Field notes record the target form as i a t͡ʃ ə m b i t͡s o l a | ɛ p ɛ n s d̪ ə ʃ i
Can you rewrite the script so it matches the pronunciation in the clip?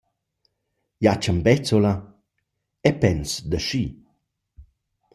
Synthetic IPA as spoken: j a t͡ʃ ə m b ɛ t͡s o l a | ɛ p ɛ n s d̪ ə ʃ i